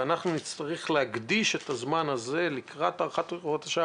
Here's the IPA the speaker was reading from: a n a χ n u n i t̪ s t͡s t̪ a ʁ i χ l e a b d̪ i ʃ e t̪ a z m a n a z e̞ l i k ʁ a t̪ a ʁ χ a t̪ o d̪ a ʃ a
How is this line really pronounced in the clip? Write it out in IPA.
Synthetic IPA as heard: a n a χ n u n i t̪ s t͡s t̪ a ʁ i χ l e a ɡ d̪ i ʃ e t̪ a z m a n a z e̞ l i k ʁ a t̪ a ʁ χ a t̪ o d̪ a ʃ a